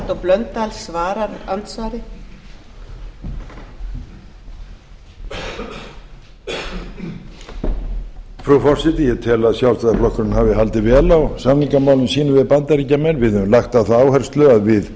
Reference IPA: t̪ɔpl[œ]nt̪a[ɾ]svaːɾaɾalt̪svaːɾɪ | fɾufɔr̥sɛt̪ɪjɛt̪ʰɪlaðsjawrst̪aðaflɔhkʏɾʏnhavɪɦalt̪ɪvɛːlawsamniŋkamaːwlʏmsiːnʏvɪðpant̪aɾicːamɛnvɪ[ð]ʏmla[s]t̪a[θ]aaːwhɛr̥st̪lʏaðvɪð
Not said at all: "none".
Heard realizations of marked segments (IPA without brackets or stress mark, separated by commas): œ, l, ð, x, θ